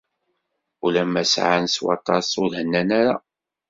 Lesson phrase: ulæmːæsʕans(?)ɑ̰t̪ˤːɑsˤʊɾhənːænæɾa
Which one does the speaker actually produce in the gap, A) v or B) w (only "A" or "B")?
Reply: B